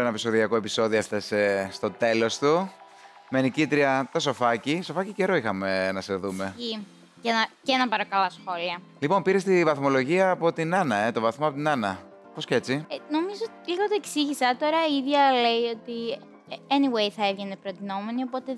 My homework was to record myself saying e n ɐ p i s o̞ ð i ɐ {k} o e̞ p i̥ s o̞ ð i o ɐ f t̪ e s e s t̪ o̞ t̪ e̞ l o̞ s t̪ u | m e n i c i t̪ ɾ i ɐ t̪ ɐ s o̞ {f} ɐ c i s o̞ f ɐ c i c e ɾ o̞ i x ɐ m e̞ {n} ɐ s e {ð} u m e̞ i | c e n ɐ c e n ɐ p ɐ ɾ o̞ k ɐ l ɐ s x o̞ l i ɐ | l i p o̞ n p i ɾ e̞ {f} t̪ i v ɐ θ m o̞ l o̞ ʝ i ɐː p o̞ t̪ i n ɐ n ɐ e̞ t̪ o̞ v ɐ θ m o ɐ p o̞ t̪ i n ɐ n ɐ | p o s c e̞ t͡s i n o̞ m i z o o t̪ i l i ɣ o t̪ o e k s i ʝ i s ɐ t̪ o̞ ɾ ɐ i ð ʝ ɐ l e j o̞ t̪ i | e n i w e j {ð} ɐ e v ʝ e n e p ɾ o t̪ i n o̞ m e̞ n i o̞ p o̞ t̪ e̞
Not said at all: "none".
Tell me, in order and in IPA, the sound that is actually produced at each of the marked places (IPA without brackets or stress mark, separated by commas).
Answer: k, f, n, ð, s, θ